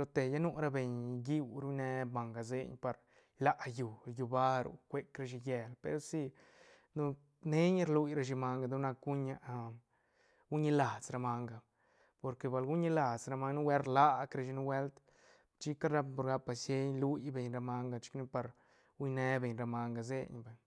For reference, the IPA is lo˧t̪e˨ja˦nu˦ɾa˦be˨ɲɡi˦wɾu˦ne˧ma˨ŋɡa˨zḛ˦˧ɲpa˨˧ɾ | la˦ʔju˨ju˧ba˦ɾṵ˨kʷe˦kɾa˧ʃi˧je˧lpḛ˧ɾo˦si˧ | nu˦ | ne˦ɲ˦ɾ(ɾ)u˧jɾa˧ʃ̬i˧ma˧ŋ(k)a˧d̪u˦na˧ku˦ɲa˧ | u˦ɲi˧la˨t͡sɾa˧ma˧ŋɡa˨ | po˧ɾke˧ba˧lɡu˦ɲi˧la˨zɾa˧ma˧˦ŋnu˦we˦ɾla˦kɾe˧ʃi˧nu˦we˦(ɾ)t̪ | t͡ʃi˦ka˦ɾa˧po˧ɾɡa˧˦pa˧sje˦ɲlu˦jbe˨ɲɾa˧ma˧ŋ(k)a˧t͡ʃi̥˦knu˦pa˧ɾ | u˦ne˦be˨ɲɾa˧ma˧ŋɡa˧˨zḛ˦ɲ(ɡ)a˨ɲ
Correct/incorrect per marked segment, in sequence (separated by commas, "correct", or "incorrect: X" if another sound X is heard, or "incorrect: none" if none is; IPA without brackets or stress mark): incorrect: l, incorrect: ɡ, incorrect: l, incorrect: ɡ, incorrect: b